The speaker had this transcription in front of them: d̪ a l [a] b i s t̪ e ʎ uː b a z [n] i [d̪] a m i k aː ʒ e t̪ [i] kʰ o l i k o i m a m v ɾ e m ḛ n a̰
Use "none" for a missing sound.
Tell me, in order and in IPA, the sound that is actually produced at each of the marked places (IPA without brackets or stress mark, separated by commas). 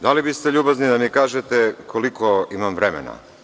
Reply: i, n, d̪, e